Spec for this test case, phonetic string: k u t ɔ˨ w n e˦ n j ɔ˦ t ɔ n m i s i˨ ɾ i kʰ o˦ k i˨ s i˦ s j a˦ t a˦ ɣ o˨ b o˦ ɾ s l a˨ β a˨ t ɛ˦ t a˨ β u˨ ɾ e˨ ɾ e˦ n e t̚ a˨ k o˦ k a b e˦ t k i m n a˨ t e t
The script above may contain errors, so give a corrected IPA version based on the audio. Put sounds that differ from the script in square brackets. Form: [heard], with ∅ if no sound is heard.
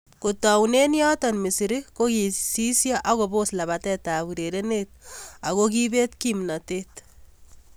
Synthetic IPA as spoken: k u t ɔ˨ w n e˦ n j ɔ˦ t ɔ n m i s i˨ ɾ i [k] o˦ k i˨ s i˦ s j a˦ [ʔ] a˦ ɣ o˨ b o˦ [∅] s l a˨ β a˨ t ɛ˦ t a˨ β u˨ ɾ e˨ ɾ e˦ n e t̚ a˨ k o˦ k [i] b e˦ t k i m n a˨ t e t